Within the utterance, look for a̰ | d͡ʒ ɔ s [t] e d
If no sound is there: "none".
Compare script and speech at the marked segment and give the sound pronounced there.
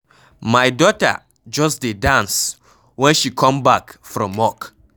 d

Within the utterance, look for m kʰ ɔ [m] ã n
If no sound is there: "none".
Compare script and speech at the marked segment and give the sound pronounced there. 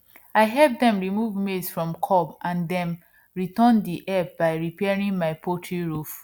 b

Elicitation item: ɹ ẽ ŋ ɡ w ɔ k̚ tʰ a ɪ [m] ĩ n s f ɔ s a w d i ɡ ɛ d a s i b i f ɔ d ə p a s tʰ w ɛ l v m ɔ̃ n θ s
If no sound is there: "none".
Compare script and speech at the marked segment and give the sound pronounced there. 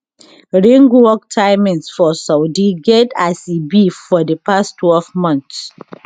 m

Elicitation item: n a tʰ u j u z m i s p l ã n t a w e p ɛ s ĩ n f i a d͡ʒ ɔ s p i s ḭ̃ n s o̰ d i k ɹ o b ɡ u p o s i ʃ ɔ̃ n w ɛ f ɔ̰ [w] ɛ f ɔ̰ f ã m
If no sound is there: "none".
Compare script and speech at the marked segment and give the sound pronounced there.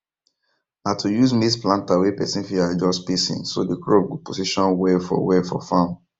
w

